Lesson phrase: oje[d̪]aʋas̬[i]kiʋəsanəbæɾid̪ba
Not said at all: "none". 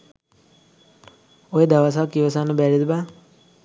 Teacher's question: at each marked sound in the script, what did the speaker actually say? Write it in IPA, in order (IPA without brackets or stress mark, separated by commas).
d̪, a